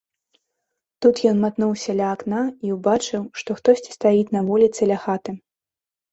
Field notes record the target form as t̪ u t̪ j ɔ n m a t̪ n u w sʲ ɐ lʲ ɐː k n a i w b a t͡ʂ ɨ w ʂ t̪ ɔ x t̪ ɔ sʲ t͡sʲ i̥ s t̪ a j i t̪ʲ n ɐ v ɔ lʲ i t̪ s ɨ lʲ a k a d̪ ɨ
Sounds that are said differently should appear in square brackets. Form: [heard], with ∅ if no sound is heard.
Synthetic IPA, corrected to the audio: t̪ u t̪ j ɔ n m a t̪ n u w sʲ ɐ lʲ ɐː k n a i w b a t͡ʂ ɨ w ʂ t̪ ɔ x t̪ ɔ sʲ t͡sʲ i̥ s t̪ a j i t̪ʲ n ɐ v ɔ lʲ i t̪ s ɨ lʲ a [x] a [t̪] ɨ